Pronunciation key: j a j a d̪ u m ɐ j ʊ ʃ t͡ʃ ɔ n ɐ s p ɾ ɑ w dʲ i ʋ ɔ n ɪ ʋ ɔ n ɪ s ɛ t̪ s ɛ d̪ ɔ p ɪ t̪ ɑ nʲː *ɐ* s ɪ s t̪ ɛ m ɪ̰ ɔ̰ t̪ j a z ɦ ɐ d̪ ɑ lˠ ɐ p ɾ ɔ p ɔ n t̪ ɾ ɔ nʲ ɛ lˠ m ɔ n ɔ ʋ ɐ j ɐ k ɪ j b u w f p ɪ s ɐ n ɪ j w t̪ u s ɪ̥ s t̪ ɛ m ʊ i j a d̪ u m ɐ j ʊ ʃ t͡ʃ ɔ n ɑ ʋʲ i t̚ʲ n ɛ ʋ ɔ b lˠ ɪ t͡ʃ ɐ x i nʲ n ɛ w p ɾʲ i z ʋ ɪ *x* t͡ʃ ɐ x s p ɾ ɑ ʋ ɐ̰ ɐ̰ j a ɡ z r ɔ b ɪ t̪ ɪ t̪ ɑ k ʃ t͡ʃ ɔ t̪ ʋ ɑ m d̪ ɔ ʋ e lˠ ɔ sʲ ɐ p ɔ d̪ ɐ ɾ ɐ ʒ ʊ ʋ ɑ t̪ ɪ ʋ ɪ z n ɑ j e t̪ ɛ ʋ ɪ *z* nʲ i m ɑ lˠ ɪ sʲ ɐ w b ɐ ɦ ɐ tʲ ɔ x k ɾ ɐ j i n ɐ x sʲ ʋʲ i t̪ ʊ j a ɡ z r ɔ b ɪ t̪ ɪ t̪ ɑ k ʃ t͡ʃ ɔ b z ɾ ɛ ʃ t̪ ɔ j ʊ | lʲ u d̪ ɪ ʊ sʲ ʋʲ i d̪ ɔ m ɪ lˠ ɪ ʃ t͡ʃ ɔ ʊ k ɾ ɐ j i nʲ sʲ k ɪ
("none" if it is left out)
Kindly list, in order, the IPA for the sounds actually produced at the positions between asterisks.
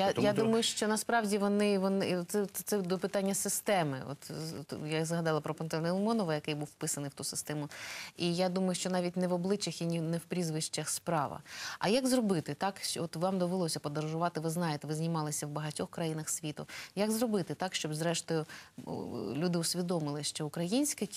ɐ, ʃ, z

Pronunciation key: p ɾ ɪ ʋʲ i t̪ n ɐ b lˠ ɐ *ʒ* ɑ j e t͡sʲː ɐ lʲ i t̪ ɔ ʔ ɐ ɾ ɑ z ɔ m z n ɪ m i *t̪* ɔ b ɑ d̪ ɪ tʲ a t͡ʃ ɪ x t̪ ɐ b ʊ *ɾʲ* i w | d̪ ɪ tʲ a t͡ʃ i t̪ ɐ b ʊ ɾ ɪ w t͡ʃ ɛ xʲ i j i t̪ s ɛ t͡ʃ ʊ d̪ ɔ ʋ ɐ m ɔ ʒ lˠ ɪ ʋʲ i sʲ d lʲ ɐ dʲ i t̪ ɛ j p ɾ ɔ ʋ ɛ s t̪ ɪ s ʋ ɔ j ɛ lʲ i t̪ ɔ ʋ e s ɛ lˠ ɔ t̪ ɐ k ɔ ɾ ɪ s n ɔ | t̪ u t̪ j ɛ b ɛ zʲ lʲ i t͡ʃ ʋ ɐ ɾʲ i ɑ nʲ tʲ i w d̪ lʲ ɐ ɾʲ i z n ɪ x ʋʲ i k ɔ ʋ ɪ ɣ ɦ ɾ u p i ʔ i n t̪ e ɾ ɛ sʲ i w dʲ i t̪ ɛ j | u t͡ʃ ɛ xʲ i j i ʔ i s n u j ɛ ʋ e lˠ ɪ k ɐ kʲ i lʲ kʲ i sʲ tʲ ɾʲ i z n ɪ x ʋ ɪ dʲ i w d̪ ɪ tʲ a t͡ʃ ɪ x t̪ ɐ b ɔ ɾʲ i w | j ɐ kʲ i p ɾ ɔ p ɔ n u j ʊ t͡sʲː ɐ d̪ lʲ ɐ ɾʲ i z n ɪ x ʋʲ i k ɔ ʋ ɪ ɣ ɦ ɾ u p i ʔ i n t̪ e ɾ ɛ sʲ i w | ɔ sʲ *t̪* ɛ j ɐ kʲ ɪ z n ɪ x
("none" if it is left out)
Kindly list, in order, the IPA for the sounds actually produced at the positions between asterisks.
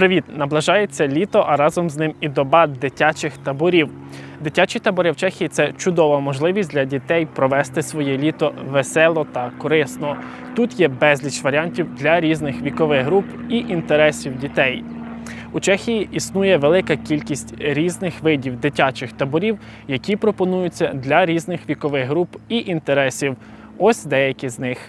ʒ, d̪, ɾʲ, d̪

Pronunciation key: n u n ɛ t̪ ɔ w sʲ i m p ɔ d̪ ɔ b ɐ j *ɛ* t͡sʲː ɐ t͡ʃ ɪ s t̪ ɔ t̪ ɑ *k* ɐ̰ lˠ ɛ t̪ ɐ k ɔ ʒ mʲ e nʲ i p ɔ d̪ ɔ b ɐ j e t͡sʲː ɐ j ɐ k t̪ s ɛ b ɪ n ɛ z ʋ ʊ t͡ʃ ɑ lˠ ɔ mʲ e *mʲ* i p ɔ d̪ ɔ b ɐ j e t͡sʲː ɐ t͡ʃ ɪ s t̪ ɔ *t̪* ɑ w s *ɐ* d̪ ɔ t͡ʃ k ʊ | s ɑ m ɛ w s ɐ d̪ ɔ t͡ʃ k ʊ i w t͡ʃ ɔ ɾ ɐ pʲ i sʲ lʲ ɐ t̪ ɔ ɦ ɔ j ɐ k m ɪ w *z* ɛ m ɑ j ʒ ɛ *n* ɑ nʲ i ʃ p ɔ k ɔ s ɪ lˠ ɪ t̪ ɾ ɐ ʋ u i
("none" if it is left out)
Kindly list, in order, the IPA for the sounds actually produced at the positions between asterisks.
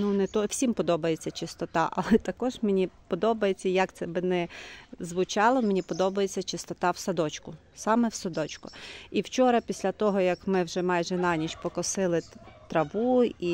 e, ʔ, nʲ, t̪, ɐ, ʒ, n

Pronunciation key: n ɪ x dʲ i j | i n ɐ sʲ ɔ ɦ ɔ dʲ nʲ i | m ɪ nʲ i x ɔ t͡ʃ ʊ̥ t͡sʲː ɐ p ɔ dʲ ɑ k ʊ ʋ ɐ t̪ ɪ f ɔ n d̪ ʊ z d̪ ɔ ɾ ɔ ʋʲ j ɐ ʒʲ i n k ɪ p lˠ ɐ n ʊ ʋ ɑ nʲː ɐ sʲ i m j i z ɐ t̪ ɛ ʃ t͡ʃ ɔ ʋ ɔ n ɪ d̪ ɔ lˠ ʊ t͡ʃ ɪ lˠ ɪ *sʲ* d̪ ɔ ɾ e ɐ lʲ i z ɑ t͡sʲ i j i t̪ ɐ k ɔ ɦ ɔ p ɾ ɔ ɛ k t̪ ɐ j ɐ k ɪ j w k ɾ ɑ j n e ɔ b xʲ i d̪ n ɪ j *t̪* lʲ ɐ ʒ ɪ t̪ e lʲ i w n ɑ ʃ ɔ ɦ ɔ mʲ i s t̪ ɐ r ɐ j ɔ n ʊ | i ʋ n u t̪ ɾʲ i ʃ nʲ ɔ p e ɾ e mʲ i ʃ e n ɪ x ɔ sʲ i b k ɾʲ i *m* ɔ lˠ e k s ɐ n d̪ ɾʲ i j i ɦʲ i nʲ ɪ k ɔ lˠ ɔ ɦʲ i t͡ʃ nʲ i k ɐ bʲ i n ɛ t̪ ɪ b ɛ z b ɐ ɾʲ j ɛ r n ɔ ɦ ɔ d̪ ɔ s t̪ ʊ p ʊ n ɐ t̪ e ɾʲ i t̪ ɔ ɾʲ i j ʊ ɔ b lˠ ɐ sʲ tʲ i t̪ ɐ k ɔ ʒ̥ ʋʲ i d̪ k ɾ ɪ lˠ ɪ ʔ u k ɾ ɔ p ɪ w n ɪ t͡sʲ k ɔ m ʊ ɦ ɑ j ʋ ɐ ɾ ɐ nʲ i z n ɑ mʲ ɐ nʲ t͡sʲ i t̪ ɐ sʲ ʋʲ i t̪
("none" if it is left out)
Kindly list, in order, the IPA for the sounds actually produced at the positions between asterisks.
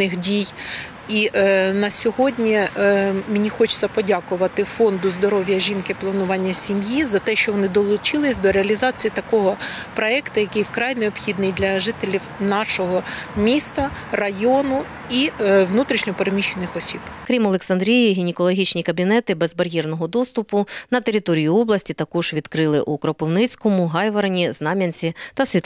sʲ, d̪, m

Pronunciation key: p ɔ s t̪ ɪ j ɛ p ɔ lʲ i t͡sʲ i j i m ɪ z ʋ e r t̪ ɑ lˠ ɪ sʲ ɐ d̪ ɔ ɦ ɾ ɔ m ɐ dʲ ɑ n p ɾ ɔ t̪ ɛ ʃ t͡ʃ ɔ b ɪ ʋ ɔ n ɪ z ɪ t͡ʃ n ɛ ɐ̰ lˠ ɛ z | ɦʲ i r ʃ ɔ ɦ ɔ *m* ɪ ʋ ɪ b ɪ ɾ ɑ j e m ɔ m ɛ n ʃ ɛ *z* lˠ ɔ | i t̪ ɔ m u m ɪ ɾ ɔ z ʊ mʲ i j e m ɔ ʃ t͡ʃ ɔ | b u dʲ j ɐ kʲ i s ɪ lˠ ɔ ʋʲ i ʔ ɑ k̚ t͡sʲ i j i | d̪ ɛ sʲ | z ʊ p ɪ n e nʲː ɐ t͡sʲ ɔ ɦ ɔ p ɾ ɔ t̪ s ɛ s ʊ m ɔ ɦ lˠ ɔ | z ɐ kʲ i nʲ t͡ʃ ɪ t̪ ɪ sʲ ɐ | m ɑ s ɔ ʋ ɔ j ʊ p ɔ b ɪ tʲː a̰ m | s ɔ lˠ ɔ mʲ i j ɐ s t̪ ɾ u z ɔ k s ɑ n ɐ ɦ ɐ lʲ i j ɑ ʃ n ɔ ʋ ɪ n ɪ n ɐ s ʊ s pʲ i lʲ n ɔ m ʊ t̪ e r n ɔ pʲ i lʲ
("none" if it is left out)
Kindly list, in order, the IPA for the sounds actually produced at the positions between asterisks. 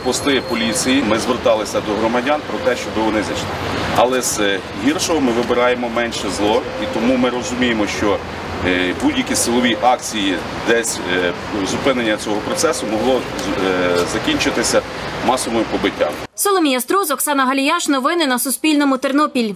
m, z

